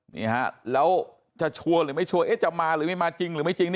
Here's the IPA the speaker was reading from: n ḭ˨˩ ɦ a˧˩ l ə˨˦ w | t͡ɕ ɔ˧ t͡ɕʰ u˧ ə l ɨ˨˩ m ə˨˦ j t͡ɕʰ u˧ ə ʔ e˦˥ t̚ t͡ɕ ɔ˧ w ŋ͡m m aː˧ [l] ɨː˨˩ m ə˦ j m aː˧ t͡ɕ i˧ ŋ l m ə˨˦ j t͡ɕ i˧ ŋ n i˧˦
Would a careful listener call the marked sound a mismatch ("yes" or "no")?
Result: no